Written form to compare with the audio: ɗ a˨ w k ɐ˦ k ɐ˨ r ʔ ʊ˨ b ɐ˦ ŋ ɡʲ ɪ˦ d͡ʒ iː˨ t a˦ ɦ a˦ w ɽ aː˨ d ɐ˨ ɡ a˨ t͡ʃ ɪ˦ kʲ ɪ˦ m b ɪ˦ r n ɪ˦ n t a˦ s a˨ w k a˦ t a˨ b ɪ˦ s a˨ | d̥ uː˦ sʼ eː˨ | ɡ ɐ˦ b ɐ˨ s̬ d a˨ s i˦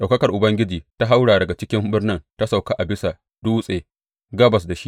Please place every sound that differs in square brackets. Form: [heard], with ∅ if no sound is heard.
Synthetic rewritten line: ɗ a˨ w k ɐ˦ k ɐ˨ r ʔ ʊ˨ b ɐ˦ ŋ ɡʲ ɪ˦ d͡ʒ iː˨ t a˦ ɦ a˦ w ɽ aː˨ d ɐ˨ ɡ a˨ t͡ʃ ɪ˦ kʲ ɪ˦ m b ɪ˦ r n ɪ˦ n t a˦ s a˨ w k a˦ [ʔ] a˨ b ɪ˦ s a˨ | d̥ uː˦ sʼ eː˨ | ɡ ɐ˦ b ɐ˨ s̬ d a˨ [ʃ] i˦